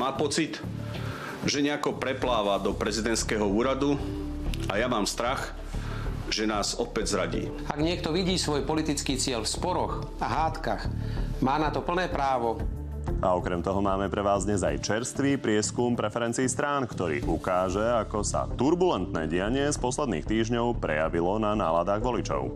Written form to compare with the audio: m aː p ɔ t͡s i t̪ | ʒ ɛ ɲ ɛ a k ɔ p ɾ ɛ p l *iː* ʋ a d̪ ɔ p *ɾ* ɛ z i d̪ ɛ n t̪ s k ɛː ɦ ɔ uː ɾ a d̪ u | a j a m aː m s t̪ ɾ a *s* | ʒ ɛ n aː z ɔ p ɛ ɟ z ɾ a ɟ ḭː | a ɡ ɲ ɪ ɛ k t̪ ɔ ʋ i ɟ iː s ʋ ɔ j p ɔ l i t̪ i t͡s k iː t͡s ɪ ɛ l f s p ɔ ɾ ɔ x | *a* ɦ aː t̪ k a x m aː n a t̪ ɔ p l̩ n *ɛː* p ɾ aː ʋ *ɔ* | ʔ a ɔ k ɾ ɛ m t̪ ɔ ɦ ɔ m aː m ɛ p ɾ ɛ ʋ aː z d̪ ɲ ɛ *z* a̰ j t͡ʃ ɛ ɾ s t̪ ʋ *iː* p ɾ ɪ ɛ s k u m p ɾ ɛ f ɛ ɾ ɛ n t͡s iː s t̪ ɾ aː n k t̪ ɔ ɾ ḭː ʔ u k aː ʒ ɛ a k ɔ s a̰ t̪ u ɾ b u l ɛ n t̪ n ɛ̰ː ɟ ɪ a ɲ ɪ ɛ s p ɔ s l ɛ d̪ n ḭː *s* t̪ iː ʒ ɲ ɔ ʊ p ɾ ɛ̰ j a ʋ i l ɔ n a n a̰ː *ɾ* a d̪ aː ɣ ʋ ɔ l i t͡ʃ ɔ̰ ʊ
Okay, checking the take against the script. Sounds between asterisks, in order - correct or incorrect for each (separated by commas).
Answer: incorrect, correct, incorrect, correct, correct, correct, correct, correct, incorrect, incorrect